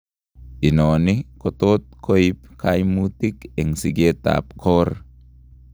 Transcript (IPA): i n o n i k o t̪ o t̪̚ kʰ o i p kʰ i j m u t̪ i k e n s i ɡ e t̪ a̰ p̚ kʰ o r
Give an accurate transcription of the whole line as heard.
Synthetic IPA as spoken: i n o n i k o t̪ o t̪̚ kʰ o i p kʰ a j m u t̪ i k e ŋ s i ɡ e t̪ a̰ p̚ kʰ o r